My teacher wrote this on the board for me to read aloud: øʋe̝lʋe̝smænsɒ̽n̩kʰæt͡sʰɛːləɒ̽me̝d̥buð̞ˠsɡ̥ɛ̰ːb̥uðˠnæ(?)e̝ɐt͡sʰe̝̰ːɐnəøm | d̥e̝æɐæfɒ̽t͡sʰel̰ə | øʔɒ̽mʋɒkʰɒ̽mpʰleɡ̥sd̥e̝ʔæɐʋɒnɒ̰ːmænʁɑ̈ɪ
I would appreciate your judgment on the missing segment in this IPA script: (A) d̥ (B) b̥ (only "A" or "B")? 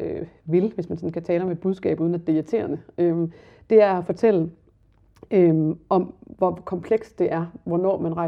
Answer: A